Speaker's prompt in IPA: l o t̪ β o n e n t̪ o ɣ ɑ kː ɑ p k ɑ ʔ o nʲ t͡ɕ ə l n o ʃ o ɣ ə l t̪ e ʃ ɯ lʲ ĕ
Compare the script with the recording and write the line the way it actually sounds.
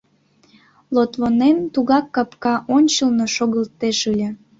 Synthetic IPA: l o t̪ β o n e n t̪ u ɣ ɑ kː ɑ p k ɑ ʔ o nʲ t͡ɕ ə l n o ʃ o ɣ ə l t̪ e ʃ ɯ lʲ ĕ